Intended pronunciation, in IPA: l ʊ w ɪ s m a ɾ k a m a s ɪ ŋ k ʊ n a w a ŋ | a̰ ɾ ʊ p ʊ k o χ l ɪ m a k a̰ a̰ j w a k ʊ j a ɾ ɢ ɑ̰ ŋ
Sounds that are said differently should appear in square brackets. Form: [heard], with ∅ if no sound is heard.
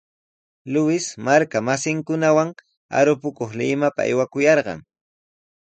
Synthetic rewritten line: l ʊ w ɪ s m a ɾ k a m a s ɪ ŋ k ʊ n a w a ŋ | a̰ ɾ ʊ p ʊ k o χ l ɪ m a [p] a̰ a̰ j w a k ʊ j [ɑ] ɾ ɢ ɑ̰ ŋ